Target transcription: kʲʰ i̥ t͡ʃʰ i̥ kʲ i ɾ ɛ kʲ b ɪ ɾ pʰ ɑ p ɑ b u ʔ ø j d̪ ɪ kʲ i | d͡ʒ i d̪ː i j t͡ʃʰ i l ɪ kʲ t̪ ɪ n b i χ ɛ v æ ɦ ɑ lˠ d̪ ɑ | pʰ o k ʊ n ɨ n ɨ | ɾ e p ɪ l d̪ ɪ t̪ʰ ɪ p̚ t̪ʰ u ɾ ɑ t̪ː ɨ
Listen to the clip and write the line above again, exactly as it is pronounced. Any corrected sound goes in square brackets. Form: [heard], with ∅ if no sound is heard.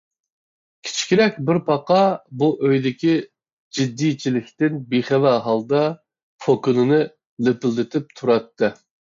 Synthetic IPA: kʲʰ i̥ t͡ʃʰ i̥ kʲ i ɾ ɛ kʲ b ɪ ɾ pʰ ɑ [q] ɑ b u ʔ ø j d̪ ɪ kʲ i | d͡ʒ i d̪ː i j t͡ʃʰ i l ɪ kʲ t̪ ɪ n b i χ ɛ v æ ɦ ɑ lˠ d̪ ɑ | pʰ o k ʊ n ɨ n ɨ | [l] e p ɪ l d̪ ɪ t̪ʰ ɪ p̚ t̪ʰ u ɾ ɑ t̪ː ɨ